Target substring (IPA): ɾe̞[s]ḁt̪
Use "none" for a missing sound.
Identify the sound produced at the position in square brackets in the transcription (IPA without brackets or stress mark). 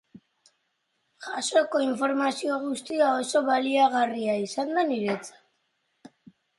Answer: t͡s